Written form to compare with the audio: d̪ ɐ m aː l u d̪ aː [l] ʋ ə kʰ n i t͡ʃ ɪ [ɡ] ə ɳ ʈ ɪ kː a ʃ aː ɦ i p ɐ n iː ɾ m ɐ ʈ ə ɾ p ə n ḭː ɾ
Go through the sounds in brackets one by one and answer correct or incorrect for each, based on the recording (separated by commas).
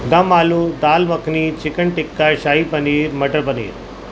correct, incorrect